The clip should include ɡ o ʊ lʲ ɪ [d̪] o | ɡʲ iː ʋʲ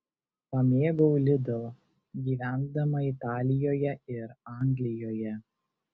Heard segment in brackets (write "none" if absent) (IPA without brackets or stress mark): d̪